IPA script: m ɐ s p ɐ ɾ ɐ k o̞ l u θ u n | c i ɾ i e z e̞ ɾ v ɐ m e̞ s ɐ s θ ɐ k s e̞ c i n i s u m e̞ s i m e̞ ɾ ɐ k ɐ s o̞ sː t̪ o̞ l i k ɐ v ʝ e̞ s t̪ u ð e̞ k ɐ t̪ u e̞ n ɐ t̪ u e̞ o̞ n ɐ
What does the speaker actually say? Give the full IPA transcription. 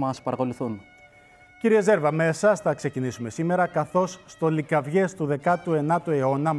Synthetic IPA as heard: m ɐ s p ɐ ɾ ɐ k o̞ l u θ u n | c i ɾ i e z e̞ ɾ v ɐ m e̞ s ɐ s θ ɐ k s e̞ c i n i s u m e̞ s i m e̞ ɾ ɐ k ɐ θ o̞ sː t̪ o̞ l i k ɐ v ʝ e̞ s t̪ u ð e̞ k ɐ t̪ u e̞ n ɐ t̪ u e̞ o̞ n ɐ